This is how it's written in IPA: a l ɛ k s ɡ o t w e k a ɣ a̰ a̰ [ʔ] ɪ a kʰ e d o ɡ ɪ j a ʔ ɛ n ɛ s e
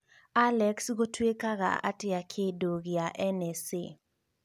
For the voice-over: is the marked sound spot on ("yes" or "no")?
no